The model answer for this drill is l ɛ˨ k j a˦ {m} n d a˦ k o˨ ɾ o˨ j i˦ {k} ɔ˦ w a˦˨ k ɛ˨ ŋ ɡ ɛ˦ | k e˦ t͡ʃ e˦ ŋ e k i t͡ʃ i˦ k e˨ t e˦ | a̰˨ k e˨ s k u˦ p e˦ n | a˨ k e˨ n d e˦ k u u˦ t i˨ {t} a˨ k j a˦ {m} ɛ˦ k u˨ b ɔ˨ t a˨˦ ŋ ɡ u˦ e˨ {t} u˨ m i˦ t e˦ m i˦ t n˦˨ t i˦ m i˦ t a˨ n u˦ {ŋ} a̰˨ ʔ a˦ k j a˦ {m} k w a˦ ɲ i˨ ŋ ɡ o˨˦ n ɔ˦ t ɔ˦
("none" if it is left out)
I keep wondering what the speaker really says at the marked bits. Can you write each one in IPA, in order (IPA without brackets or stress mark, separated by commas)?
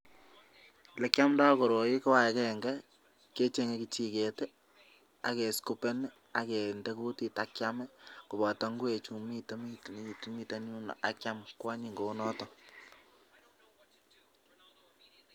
m, k, t, m, t͡ʃ, n, m